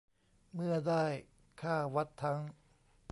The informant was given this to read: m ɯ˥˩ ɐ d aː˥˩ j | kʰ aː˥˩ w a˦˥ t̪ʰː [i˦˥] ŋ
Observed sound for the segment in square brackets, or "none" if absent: a˦˥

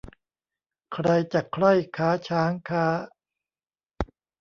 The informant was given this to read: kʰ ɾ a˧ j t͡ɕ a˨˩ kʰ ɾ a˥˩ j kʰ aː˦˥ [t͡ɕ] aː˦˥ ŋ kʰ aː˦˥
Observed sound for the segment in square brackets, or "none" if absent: t͡ɕʰ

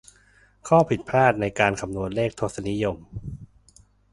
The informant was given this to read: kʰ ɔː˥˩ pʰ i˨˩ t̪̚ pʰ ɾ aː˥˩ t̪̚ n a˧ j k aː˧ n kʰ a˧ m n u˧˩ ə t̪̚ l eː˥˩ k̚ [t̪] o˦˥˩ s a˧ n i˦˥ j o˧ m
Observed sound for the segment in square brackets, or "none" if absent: t̪ʰ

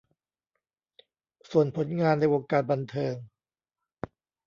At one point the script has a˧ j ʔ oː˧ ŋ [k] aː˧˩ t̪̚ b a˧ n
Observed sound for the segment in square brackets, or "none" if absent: k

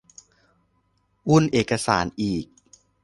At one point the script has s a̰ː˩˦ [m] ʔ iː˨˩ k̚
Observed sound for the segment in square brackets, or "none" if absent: n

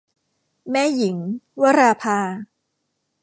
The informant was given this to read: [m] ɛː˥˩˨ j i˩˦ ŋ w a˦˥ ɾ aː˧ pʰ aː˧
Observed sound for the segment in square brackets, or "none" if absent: m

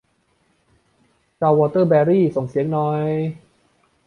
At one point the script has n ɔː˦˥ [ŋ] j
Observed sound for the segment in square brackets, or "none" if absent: none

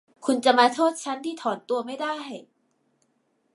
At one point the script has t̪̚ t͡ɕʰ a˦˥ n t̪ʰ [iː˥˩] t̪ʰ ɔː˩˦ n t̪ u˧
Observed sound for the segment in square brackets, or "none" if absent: iː˥˩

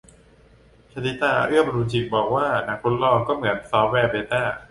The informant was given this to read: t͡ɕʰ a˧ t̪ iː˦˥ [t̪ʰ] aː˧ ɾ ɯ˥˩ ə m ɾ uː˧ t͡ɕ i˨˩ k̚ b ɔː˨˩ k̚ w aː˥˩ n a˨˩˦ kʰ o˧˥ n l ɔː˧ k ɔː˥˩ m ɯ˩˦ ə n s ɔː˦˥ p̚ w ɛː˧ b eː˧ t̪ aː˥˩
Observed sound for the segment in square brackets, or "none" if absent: t̪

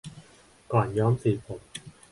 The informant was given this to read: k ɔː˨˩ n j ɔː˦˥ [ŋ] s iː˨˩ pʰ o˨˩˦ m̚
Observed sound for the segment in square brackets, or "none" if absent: m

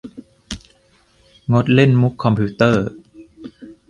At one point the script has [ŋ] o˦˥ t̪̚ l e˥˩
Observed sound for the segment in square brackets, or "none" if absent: ŋ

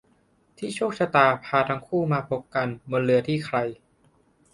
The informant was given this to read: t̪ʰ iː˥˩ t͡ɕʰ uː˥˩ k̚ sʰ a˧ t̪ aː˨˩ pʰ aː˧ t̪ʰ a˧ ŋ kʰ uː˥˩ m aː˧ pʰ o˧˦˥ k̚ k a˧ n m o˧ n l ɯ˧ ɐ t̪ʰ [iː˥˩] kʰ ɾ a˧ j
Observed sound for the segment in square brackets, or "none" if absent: iː˥˩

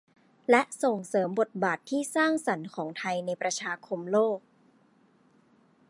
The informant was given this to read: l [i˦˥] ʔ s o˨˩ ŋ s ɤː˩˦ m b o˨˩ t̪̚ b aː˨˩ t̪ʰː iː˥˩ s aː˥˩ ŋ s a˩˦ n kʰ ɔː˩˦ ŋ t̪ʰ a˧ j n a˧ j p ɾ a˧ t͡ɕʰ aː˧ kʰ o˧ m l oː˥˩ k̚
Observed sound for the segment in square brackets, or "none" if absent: ɛ˦˥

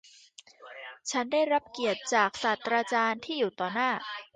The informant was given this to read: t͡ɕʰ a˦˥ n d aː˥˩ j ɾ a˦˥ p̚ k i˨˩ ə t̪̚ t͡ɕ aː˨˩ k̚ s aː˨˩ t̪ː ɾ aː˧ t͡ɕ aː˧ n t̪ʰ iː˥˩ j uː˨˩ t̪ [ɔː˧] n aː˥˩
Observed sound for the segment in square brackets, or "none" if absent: ɔː˨˩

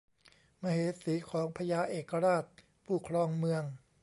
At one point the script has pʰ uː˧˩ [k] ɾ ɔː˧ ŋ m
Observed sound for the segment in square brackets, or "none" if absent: kʰ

